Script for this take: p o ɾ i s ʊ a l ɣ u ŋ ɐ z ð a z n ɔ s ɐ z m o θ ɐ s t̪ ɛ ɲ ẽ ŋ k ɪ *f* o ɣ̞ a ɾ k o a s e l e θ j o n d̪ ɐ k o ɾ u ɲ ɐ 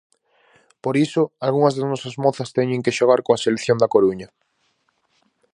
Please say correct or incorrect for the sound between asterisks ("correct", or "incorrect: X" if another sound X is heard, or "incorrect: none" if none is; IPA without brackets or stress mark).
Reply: incorrect: ʃ